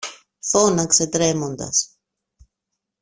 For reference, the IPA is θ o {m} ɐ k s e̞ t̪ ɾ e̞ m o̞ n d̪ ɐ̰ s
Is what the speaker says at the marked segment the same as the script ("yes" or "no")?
no